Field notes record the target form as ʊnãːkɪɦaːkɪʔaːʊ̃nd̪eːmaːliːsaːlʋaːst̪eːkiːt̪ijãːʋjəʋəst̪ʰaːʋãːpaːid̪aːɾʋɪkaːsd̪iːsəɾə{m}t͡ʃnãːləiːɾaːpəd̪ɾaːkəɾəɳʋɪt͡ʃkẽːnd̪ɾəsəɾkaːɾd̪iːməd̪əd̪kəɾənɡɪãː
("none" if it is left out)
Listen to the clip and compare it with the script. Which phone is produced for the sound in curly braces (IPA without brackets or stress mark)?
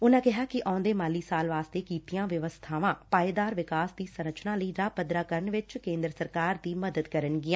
none